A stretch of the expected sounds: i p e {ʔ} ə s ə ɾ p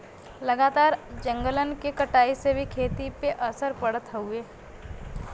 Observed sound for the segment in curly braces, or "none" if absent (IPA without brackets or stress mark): ʔ